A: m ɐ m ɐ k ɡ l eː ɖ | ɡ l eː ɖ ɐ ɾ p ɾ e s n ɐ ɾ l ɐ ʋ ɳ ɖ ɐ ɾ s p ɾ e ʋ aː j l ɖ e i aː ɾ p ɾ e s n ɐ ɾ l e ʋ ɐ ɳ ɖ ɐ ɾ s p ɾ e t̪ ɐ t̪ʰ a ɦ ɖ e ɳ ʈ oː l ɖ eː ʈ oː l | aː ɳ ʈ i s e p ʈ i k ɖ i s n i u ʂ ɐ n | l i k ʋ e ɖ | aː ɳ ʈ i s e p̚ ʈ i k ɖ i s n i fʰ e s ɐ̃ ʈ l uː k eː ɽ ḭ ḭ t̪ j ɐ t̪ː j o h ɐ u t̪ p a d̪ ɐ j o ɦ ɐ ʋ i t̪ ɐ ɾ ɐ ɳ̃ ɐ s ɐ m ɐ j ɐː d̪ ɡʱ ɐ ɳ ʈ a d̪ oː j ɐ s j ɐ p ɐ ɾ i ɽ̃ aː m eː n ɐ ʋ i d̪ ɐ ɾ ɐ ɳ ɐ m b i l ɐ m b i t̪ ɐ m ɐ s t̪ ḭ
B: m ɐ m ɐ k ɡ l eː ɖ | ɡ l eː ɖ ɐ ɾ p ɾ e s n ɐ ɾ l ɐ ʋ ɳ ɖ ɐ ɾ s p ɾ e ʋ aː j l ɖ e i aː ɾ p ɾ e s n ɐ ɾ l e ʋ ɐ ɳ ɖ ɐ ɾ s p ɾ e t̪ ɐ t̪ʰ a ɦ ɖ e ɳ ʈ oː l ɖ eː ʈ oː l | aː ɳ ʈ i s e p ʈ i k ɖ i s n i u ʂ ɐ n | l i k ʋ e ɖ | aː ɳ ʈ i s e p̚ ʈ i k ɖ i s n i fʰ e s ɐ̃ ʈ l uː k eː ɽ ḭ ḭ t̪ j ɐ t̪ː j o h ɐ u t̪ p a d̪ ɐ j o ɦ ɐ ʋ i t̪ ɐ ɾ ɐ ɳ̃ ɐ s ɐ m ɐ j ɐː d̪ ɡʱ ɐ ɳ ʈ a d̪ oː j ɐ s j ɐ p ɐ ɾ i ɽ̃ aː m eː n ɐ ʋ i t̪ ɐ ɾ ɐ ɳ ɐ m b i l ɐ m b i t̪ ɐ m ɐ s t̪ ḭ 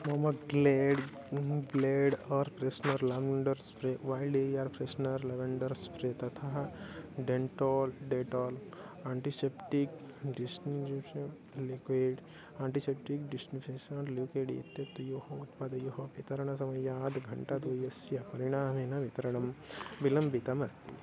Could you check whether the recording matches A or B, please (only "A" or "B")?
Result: B